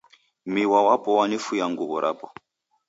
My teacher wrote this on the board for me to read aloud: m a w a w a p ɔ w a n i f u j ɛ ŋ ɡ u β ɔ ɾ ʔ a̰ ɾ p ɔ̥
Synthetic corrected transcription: m i w a w a p ɔ w a n i f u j a ŋ ɡ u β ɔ ɾ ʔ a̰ p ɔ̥